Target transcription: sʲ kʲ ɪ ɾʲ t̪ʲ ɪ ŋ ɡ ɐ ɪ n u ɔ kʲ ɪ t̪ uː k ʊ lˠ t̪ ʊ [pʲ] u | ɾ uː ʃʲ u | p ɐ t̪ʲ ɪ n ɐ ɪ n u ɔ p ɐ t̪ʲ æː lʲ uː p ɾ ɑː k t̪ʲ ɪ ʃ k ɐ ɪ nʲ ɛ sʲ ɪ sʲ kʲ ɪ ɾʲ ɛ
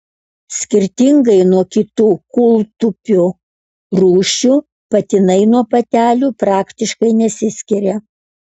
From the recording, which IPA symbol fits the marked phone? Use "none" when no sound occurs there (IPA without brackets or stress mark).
pʲ